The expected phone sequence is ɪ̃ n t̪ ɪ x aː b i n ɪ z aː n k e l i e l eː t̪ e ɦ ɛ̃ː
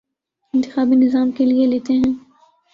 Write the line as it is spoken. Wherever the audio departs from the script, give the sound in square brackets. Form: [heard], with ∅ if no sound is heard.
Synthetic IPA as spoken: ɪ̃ n t̪ ɪ x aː b i n ɪ z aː [m] k e l i e l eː t̪ e ɦ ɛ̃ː